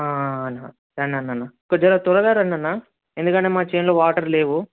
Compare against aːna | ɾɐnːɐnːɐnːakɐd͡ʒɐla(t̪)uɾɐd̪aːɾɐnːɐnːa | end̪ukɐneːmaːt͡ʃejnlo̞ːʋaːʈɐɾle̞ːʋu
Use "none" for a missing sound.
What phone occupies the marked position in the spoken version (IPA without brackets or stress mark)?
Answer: t̪